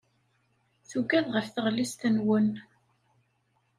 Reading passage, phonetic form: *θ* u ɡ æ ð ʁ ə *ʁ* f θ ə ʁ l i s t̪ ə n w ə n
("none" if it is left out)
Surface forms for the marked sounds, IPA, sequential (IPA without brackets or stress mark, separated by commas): θ, none